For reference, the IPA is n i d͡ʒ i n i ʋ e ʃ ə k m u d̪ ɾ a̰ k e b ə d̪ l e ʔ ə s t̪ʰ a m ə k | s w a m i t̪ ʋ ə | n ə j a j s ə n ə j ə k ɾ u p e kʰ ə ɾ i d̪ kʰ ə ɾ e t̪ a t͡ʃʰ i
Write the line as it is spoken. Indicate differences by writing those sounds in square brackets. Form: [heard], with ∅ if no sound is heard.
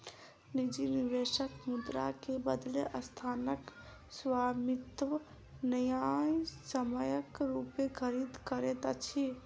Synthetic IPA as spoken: n i d͡ʒ i n i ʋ e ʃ ə k m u d̪ ɾ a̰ k e b ə d̪ l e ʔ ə s t̪ʰ a [n] ə k | s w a m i t̪ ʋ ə | n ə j a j s ə [m] ə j ə k ɾ u p e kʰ ə ɾ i d̪ [k] ə ɾ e t̪ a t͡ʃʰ i